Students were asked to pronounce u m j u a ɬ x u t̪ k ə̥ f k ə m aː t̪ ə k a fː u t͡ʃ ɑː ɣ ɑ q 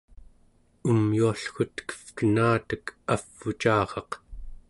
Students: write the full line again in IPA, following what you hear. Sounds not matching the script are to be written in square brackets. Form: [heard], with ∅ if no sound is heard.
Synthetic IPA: u m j u a ɬ x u t̪ k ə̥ f k ə [n] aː t̪ ə k a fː u t͡ʃ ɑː [ʁ] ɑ q

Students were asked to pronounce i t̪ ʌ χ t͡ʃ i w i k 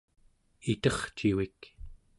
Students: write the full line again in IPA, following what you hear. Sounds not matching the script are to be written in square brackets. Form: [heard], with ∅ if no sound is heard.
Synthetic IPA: i t̪ ʌ χ t͡ʃ i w i k

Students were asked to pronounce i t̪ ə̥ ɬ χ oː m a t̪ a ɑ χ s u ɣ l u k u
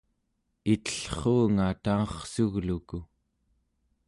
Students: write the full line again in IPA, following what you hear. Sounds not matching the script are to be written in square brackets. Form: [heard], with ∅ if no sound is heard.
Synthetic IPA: i t̪ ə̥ ɬ χ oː [ŋ] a t̪ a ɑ χ s u ɣ l u k u

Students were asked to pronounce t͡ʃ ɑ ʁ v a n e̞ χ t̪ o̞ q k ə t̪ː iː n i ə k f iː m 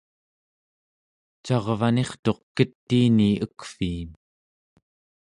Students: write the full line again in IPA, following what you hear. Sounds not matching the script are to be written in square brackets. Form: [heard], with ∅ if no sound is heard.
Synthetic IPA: t͡ʃ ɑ ʁ v a n e̞ χ t̪ o̞ q k ə t̪ː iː n i ə k f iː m

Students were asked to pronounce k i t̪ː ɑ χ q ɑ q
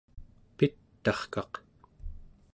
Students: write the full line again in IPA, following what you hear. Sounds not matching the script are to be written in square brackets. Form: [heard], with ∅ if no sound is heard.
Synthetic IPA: [p] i t̪ː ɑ χ [k] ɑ q

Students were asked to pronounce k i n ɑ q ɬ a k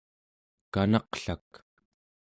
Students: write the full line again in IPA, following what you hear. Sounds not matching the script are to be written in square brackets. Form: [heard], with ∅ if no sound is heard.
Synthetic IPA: k [a] n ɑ q ɬ a k

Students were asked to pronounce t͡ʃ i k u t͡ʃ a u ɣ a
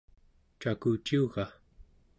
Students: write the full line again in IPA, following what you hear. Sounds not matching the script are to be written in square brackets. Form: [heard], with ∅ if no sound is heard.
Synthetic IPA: t͡ʃ [a] k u t͡ʃ [i] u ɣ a

